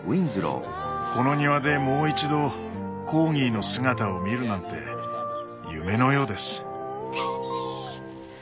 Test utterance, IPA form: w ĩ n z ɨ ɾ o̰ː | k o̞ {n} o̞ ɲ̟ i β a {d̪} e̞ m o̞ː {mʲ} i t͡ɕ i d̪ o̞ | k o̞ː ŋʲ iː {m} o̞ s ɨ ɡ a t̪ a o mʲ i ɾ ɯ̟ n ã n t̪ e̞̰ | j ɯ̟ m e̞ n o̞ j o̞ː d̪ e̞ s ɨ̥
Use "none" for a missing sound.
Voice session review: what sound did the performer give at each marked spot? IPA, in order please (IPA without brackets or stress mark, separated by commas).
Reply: n, d̪, none, n